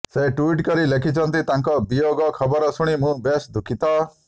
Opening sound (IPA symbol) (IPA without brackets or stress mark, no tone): s